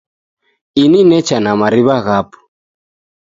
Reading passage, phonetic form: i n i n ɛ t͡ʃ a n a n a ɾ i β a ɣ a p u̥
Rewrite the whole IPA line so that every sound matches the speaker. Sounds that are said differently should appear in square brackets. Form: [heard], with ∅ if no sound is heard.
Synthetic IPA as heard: i n i n ɛ t͡ʃ a n a [m] a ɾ i β a ɣ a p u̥

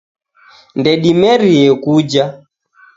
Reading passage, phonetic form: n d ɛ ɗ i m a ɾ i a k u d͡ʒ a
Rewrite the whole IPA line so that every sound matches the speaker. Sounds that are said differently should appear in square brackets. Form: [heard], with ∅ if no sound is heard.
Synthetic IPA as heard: n d ɛ ɗ i m [ɛ] ɾ i [ɛ] k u d͡ʒ a

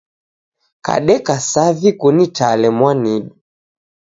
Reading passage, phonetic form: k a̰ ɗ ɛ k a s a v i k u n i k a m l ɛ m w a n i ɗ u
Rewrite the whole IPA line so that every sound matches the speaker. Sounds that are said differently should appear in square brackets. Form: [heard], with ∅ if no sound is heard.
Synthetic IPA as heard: k a̰ ɗ ɛ k a s a v i k u n i [t] a [∅] l ɛ m w a n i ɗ u

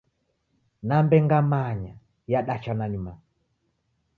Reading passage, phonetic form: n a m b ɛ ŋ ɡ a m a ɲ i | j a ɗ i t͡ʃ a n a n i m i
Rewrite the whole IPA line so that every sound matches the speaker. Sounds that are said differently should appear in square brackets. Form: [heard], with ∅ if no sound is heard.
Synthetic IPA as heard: n a m b ɛ ŋ ɡ a m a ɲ [a] | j a ɗ [a] t͡ʃ a n a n i m [a]

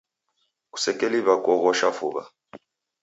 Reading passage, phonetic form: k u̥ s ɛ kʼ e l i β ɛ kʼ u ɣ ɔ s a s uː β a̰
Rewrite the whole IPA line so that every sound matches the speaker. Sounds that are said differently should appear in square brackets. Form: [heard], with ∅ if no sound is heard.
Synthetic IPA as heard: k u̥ s ɛ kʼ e l i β [a] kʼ [ɔ] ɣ ɔ [ʃ] a [f] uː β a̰

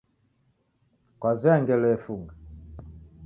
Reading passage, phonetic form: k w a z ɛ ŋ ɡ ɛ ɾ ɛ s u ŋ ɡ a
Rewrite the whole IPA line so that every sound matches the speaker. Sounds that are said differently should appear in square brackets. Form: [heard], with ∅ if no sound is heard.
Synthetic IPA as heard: k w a z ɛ ŋ ɡ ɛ [l] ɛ [f] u ŋ ɡ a

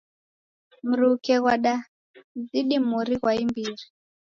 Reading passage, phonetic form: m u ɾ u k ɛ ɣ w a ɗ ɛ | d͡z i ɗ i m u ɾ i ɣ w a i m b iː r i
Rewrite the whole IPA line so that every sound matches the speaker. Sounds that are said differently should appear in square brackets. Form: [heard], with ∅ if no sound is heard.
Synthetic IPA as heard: m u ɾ u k ɛ ɣ w a ɗ [a] | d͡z i ɗ i m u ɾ i ɣ w a i m b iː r i

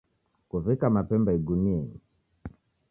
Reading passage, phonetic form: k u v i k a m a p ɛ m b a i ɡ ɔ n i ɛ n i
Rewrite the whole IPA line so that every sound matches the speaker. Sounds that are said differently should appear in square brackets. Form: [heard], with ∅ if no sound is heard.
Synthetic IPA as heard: k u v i k a m a p ɛ m b a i ɡ [u] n i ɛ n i

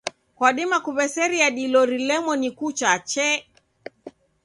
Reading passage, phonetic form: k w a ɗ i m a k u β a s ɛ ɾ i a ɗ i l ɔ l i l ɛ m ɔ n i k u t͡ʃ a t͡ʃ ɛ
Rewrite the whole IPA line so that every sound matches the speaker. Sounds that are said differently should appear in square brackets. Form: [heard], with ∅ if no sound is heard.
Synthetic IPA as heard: k w a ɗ i m a k u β [ɛ] s ɛ ɾ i a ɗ i l ɔ [ɾ] i l ɛ m ɔ n i k u t͡ʃ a t͡ʃ ɛ

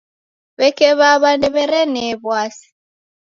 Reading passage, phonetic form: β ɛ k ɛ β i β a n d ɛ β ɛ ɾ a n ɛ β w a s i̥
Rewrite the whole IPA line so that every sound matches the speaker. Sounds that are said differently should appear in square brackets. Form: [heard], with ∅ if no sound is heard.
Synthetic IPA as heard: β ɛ k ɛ β [a] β a n d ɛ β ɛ ɾ [ɛ] n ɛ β w a s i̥

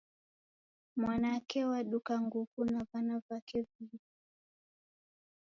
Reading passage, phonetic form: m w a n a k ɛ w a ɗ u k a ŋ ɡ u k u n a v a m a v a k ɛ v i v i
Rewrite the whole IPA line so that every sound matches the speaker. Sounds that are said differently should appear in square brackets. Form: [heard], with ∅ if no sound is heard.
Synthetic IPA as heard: m w a n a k ɛ w a ɗ u k a ŋ ɡ u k u n a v a [n] a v a k ɛ v i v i

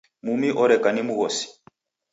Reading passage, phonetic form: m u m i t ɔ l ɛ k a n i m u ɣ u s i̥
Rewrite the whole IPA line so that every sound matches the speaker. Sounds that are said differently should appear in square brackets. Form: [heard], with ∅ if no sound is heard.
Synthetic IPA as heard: m u m i [ʔ] ɔ [ɾ] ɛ k a n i m u ɣ [ɔ] s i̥

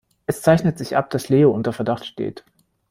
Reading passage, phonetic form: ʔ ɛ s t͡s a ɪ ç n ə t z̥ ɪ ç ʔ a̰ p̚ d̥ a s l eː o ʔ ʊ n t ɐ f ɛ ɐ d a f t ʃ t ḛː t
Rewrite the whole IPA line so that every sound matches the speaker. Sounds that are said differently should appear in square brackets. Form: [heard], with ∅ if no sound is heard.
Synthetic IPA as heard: ʔ ɛ s t͡s a ɪ ç n ə t z̥ ɪ ç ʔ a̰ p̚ d̥ a s l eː o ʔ ʊ n t ɐ f ɛ ɐ d a [χ] t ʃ t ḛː t

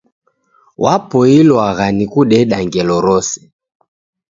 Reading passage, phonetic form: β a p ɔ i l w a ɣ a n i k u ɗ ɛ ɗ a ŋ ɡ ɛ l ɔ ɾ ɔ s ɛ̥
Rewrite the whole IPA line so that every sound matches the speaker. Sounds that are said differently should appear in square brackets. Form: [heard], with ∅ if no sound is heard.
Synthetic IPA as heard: [w] a p ɔ i l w a ɣ a n i k u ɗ ɛ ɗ a ŋ ɡ ɛ l ɔ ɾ ɔ s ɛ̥

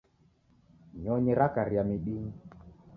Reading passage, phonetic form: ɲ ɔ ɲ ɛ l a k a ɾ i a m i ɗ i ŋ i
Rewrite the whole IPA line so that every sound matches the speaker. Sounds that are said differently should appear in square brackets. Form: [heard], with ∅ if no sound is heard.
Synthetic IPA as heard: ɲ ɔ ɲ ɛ [ɾ] a k a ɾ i a m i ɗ i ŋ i

